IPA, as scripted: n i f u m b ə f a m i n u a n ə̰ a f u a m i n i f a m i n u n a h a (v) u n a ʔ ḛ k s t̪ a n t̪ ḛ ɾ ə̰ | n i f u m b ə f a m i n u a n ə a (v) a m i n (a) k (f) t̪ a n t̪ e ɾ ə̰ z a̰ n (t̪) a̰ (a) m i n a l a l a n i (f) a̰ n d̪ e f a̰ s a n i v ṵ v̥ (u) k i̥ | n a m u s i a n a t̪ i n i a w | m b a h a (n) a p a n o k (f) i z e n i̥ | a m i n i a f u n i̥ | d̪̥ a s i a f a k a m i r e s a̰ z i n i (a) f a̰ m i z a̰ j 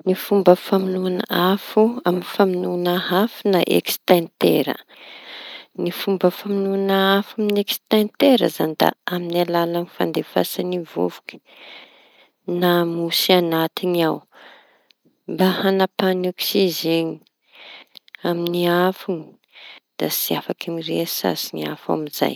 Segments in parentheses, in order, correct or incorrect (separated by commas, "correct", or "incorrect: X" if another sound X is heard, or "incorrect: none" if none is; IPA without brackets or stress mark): incorrect: f, incorrect: f, incorrect: e, incorrect: s, incorrect: d̪, correct, correct, correct, correct, incorrect: s, correct